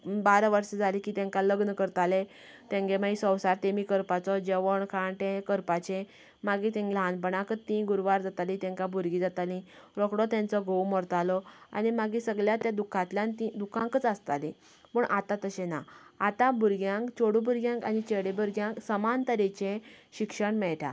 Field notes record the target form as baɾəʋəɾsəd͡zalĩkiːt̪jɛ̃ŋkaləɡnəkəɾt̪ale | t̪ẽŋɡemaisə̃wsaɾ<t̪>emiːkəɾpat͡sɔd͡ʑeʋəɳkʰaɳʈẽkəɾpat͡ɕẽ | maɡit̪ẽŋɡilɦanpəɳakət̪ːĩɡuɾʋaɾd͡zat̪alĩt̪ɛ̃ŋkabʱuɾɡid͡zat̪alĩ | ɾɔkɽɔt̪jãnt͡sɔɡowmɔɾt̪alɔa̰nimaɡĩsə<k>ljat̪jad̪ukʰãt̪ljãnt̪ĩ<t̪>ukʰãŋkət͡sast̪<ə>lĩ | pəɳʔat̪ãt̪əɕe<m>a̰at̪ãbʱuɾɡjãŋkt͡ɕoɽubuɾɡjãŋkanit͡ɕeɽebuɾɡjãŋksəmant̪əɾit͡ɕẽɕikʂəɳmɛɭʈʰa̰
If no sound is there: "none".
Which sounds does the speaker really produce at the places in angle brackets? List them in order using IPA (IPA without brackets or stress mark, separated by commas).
t̪, ɡ, d̪, a, n